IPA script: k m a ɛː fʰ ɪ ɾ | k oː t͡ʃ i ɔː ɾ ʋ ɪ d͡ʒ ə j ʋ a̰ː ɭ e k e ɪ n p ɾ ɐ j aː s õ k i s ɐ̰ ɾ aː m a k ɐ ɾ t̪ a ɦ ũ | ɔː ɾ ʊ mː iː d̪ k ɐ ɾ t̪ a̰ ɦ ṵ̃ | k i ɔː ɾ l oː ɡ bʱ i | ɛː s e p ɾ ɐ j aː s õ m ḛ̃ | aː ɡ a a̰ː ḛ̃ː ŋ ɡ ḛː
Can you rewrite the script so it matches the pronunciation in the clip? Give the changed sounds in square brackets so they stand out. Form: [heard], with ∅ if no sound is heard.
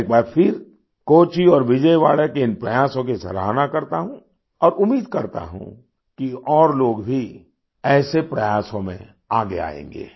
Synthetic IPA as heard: k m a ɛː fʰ ɪ ɾ | k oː t͡ʃ i ɔː ɾ ʋ ɪ d͡ʒ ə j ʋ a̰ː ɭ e k e ɪ n p ɾ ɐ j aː s õ k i s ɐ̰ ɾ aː [n] a k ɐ ɾ t̪ a ɦ ũ | ɔː ɾ ʊ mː iː d̪ k ɐ ɾ t̪ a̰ ɦ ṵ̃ | k i ɔː ɾ l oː ɡ bʱ i | ɛː s e p ɾ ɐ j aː s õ m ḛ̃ | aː ɡ [e] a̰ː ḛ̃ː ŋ ɡ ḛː